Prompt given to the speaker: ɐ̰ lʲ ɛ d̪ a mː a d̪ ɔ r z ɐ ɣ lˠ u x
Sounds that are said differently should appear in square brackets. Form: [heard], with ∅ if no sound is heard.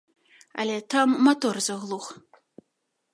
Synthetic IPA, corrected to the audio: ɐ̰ lʲ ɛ [t̪] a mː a [t̪] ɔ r z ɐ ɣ lˠ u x